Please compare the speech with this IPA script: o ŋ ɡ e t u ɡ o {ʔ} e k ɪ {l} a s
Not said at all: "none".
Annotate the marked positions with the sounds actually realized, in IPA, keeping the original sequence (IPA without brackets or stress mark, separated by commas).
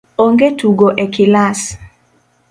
ʔ, l